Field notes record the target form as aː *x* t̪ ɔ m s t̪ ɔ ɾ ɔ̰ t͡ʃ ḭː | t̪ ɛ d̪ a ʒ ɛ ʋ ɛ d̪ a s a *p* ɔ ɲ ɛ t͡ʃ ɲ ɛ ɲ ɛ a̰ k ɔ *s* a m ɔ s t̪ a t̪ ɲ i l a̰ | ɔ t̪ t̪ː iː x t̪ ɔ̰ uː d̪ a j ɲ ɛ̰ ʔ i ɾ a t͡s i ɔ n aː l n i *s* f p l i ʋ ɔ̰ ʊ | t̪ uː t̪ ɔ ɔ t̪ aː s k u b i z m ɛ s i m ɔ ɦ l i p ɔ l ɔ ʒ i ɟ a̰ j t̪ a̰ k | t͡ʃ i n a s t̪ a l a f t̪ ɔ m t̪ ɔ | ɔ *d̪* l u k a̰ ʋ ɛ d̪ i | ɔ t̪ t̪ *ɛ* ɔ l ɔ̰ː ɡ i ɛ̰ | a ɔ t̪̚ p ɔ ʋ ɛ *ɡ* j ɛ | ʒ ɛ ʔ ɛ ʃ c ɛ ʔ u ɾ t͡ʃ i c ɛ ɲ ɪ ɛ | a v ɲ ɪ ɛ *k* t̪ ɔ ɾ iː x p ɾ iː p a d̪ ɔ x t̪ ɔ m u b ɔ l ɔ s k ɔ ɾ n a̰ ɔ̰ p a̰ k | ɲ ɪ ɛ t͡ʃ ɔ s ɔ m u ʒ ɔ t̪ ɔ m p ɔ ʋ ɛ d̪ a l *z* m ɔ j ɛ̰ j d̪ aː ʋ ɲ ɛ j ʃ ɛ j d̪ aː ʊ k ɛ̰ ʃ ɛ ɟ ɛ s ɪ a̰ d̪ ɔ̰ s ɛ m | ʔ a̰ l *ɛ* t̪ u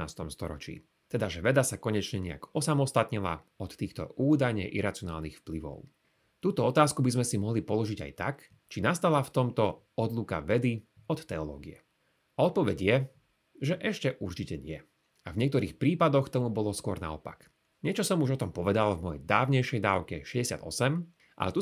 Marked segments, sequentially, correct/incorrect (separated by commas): incorrect, incorrect, correct, incorrect, correct, correct, incorrect, correct, incorrect, correct